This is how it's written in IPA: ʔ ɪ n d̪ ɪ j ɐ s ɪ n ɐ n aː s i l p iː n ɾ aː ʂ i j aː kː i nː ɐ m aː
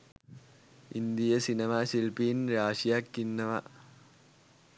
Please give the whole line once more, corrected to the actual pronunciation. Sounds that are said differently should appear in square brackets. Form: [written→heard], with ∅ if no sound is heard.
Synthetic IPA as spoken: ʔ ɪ n d̪ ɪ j ɐ s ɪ n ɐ [n→m] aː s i l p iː n ɾ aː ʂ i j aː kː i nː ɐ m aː

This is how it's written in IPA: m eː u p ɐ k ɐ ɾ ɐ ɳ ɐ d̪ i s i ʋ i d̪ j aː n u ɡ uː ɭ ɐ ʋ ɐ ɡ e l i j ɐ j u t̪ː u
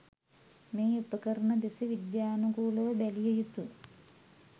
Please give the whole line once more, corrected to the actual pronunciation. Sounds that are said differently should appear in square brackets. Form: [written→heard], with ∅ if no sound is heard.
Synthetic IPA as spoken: m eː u p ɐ k ɐ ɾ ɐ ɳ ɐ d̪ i s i ʋ i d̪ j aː n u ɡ uː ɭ ɐ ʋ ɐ [ɡ→b] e l i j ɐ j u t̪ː u

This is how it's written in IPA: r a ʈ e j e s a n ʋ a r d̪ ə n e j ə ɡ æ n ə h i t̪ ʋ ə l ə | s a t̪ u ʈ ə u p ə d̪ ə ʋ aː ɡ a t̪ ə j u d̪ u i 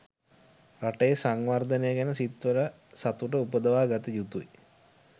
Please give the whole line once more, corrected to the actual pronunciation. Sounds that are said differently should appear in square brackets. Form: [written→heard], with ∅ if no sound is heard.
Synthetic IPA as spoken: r a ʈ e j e s a [n→ŋ] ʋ a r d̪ ə n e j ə ɡ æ n ə [h→s] i t̪ ʋ ə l ə | s a t̪ u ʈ ə u p ə d̪ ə ʋ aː ɡ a t̪ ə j u [d̪→t̪] u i

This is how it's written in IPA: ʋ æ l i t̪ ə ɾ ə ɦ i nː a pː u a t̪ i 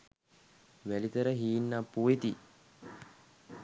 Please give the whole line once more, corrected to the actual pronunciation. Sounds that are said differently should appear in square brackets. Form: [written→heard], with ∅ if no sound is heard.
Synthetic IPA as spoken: ʋ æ l i t̪ ə ɾ ə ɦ [i→iː] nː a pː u [a→e] t̪ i

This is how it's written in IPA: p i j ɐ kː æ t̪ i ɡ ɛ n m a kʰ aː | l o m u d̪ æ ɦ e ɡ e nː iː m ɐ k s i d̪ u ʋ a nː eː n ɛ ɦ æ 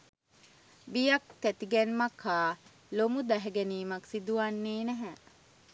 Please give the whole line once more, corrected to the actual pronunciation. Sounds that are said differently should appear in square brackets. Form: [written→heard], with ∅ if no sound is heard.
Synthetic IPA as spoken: [p→b] i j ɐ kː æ t̪ i ɡ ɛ n m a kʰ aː | l o m u d̪ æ ɦ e ɡ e [nː→n] iː m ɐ k s i d̪ u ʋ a nː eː n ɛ ɦ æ

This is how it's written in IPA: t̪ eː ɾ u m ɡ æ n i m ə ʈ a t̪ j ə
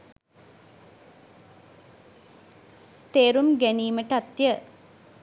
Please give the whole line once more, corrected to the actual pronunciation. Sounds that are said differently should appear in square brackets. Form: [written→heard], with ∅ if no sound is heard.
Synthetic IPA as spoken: t̪ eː ɾ u m ɡ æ n [i→iː] m ə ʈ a t̪ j ə

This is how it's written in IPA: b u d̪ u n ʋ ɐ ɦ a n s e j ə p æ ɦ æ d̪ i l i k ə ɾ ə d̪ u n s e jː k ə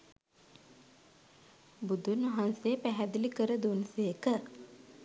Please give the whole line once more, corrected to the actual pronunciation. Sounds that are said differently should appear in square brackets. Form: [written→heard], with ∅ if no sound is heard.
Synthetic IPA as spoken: b u d̪ u n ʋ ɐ ɦ a n s e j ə p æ ɦ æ d̪ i l i k ə ɾ ə d̪ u n s e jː k ə

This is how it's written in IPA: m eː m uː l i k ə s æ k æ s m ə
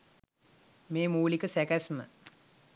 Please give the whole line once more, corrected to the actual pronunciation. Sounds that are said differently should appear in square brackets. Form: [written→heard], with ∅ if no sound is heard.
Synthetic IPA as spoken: m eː m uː l i k ə s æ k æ s m ə

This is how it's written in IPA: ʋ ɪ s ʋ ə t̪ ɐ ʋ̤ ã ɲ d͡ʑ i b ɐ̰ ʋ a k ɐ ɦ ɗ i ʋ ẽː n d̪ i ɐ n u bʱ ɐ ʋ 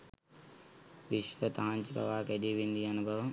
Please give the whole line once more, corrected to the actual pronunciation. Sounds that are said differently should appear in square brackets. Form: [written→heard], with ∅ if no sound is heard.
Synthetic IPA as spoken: ʋ ɪ [s→ʃ] ʋ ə t̪ ɐ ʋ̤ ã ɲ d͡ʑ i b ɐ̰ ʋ a k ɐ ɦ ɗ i ʋ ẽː n d̪ i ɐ n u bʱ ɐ ʋ

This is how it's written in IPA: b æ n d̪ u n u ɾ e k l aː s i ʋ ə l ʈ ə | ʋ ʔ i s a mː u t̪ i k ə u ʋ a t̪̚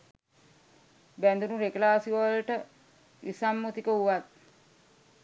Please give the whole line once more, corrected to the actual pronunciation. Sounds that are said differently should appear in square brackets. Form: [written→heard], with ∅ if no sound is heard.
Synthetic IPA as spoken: b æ n d̪ u n u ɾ e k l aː s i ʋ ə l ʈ ə | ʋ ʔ i s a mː u t̪ i k ə u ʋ a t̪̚

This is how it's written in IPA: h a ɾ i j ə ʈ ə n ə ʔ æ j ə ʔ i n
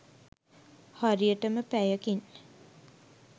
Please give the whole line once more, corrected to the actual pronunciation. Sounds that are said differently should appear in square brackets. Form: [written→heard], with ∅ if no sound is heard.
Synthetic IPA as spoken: h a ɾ i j ə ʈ ə [n→m] ə [ʔ→p] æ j ə [ʔ→k] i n

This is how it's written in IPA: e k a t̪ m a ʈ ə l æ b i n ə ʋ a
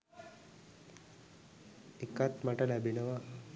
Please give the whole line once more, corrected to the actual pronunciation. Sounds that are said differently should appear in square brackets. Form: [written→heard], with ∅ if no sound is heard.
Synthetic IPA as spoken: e k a t̪ m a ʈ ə l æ b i n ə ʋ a

